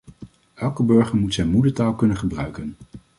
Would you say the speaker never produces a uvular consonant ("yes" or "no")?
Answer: no